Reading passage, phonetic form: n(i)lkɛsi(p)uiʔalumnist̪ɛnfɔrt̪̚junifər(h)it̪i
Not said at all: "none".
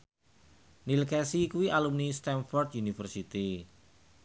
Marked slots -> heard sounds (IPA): i, k, s

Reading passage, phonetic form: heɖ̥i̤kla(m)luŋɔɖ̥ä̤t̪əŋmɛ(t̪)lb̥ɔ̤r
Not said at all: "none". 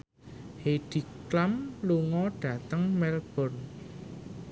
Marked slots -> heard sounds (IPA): m, none

